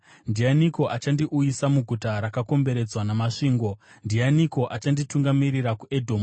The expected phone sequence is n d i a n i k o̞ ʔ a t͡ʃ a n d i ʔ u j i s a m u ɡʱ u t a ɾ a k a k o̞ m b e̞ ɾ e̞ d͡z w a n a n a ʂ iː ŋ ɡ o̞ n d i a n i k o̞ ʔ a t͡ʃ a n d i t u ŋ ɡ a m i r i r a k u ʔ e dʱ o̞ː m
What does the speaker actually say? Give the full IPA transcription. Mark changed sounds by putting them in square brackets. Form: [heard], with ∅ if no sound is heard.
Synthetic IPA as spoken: n d i a n i k o̞ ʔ a t͡ʃ a n d i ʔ u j i s a m u ɡʱ u t a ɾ a k a k o̞ m b e̞ ɾ e̞ d͡z w a n a [m] a ʂ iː ŋ ɡ o̞ n d i a n i k o̞ ʔ a t͡ʃ a n d i t u ŋ ɡ a m i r i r a k u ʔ e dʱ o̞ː m